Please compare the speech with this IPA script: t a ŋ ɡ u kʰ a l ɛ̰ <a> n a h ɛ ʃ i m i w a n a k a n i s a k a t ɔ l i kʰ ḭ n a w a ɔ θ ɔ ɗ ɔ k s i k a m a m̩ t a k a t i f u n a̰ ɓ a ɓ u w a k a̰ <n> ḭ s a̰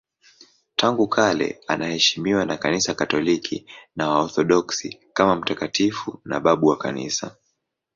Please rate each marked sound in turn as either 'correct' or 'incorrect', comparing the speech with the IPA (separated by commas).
correct, correct